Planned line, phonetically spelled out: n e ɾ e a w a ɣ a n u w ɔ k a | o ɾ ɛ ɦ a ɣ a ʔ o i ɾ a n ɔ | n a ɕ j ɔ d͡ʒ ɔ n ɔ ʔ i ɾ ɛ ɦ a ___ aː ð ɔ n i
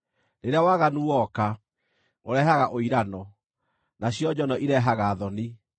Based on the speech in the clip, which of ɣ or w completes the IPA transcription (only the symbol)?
ɣ